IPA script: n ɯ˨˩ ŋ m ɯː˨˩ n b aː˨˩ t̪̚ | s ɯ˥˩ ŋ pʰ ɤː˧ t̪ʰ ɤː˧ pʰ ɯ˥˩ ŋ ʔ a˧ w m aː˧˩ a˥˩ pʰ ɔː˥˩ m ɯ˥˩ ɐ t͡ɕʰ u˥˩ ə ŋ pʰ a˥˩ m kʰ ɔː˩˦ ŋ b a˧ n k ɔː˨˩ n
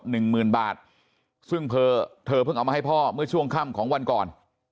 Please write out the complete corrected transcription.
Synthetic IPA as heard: n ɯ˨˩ ŋ m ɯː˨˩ n b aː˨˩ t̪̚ | s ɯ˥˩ ŋ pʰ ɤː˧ t̪ʰ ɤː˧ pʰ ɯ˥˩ ŋ ʔ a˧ w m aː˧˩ a˥˩ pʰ ɔː˥˩ m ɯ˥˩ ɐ t͡ɕʰ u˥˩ ə ŋ kʰ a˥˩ m kʰ ɔː˩˦ ŋ w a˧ n k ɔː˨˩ n